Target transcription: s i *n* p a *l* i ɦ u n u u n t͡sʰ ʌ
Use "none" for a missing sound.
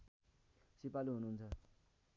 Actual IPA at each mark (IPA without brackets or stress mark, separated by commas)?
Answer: none, l